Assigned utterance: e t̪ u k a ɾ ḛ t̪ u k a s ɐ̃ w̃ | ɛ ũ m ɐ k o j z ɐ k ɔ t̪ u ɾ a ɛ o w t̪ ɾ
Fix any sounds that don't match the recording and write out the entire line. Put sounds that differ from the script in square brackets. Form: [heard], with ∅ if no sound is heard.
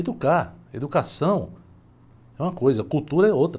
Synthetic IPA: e [d̪] u k a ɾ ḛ [d̪] u k a s ɐ̃ w̃ | ɛ ũ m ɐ k o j z ɐ k [u] t̪ u ɾ [ɐ] ɛ o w t̪ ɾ